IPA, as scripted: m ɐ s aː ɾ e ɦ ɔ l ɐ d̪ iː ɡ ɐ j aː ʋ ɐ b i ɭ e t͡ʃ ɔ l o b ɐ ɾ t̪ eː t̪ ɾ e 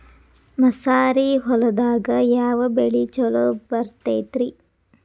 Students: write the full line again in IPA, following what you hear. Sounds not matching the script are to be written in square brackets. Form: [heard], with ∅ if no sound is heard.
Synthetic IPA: m ɐ s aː ɾ [i] ɦ ɔ l ɐ d̪ [aː] ɡ ɐ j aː ʋ ɐ b [e] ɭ [i] t͡ʃ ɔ l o b ɐ ɾ t̪ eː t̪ ɾ [i]